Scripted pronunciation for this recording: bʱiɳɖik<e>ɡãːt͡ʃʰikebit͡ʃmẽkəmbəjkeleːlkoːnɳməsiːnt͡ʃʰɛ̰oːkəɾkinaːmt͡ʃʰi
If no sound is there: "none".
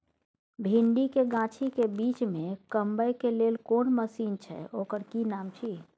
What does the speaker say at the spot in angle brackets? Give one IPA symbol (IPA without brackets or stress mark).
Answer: e